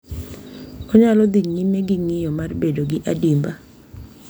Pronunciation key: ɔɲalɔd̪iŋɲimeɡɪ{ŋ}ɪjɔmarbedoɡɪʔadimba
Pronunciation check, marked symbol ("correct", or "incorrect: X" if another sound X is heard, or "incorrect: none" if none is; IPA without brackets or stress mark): correct